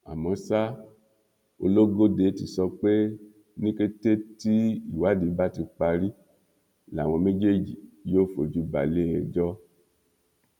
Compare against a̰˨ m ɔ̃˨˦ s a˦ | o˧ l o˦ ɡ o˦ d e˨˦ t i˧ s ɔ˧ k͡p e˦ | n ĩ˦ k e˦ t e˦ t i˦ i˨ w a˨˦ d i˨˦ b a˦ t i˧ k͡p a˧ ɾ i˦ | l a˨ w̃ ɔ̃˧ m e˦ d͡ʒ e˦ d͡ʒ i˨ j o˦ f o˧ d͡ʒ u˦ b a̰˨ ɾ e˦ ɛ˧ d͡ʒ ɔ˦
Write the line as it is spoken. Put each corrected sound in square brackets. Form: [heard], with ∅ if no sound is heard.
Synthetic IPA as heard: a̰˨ m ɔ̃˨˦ s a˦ | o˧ l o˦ ɡ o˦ d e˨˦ t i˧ s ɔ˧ k͡p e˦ | n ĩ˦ k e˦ t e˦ t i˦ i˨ w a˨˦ d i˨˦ b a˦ t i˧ k͡p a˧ ɾ i˦ | l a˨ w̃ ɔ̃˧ m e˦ d͡ʒ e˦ d͡ʒ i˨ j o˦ f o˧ d͡ʒ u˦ b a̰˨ [l] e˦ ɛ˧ d͡ʒ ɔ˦